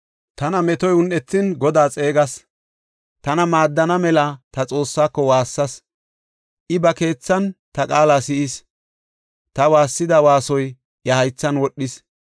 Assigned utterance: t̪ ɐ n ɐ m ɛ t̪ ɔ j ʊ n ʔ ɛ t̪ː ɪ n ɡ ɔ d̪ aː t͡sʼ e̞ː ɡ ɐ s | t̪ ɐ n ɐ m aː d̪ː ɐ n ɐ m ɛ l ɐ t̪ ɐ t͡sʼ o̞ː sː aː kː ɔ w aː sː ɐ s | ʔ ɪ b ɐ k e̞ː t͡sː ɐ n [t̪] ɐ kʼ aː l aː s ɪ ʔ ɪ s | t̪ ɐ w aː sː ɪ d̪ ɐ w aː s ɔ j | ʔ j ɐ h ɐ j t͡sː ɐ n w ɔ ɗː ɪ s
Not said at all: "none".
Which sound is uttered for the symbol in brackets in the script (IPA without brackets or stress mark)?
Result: t̪